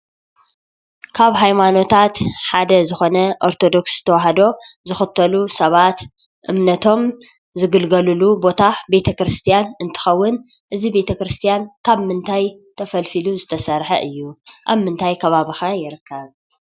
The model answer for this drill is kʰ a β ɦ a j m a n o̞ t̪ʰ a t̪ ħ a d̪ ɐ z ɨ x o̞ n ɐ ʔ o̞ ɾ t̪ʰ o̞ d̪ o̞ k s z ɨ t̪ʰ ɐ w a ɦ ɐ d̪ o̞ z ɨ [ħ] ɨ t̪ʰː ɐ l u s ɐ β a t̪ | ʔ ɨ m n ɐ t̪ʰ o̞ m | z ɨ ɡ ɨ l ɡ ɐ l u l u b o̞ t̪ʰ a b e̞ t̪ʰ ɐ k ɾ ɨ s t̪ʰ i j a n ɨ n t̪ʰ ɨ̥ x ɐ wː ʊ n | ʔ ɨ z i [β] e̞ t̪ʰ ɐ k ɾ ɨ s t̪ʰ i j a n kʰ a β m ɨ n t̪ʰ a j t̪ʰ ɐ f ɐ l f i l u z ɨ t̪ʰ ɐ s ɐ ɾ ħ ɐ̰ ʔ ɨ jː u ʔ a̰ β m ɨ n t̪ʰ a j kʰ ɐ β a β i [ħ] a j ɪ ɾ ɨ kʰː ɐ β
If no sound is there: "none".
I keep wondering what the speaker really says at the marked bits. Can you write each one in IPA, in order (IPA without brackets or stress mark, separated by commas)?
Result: x, b, x